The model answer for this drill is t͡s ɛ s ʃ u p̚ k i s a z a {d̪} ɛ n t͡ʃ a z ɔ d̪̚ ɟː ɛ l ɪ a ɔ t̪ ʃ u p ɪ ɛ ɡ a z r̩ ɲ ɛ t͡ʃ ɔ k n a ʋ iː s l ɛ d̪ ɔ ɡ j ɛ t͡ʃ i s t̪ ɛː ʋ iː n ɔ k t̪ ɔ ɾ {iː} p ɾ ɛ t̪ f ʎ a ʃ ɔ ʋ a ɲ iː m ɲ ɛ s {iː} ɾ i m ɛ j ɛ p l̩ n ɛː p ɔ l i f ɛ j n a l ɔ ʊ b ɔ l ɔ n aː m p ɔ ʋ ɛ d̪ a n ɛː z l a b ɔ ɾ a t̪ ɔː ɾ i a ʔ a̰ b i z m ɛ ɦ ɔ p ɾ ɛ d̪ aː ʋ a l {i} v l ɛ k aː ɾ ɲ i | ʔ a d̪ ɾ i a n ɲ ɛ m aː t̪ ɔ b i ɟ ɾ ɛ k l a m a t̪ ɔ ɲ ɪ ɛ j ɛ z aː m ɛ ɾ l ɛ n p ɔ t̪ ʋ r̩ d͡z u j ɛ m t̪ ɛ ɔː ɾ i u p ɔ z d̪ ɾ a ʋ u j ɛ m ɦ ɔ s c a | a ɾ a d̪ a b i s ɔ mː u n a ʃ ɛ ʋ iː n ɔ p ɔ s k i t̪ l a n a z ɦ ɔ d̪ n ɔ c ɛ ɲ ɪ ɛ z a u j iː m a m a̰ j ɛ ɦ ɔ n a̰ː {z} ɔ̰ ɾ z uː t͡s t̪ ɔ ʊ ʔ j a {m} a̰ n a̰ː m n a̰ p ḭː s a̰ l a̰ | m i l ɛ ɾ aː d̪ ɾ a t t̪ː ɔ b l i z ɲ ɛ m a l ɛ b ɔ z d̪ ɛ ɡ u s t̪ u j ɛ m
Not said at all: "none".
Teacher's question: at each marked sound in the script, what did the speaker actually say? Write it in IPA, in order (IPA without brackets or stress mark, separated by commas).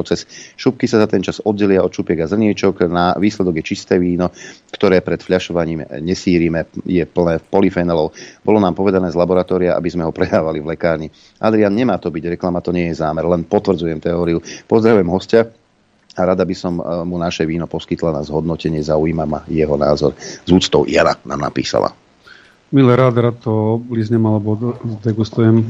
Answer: t̪, ɛː, iː, i, z, n